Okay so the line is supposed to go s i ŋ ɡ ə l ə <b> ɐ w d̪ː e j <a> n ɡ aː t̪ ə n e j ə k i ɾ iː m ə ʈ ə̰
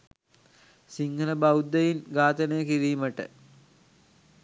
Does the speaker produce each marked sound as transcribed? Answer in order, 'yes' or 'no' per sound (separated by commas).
yes, no